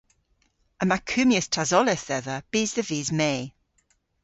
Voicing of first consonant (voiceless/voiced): voiced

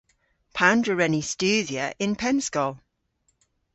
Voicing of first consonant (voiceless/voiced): voiceless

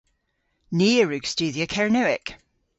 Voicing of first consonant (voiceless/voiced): voiced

